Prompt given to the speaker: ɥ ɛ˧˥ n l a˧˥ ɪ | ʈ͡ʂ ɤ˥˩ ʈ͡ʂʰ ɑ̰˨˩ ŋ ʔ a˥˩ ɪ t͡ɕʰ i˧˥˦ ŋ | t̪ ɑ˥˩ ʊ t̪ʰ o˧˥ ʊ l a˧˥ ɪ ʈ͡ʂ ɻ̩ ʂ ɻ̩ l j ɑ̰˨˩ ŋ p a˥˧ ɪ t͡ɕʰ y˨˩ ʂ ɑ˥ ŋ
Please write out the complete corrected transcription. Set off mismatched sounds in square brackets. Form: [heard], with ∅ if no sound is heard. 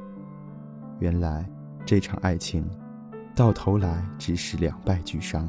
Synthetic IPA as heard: ɥ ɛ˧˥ n l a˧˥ ɪ | ʈ͡ʂ ɤ˥˩ ʈ͡ʂʰ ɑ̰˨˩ ŋ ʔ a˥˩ ɪ t͡ɕʰ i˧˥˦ ŋ | t̪ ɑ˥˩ ʊ t̪ʰ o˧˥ ʊ l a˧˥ ɪ ʈ͡ʂ ɻ̩ ʂ ɻ̩ l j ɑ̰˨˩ ŋ p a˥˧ ɪ [t͡ɕ] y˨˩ ʂ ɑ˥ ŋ